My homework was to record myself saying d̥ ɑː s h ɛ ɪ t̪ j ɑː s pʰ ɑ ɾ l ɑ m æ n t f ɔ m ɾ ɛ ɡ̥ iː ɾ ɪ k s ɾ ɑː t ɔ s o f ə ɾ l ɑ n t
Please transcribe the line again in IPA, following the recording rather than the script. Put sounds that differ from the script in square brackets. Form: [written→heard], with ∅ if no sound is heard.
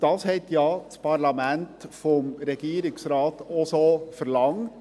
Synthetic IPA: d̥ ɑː s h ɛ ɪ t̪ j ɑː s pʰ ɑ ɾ l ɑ m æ n t f ɔ m ɾ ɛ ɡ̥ iː ɾ ɪ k s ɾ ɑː t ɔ s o f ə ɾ l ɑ [n→ŋ] t